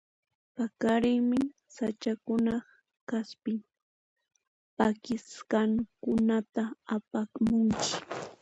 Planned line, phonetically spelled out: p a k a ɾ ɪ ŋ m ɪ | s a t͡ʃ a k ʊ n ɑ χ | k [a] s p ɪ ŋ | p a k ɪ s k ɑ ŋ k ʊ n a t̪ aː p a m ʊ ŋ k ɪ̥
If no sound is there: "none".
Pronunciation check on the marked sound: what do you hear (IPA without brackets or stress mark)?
a